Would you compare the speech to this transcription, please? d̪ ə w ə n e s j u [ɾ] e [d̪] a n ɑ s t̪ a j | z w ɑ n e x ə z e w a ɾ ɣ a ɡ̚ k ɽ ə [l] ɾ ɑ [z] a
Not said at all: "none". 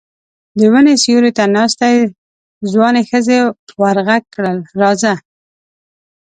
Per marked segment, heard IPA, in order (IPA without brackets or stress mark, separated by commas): ɾ, t̪, l, z